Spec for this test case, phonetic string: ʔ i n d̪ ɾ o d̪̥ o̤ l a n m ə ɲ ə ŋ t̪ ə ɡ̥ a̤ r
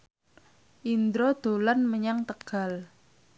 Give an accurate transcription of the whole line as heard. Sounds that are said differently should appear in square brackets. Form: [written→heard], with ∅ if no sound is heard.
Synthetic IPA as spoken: ʔ i n d̪ ɾ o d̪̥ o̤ l a n m ə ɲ [ə→a] ŋ t̪ ə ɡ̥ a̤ [r→l]